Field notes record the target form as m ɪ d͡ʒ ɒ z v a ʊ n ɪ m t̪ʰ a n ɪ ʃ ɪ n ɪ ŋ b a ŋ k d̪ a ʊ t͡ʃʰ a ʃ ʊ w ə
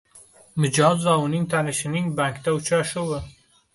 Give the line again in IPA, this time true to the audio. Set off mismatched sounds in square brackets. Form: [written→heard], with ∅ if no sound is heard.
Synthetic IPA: m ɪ d͡ʒ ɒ z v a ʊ n ɪ [m→ŋ] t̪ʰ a n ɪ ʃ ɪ n ɪ ŋ b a ŋ k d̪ a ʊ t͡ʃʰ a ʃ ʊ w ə